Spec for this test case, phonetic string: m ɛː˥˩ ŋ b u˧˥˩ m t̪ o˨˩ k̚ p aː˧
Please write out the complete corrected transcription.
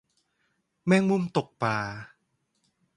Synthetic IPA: m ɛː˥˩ ŋ m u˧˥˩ m t̪ o˨˩ k̚ p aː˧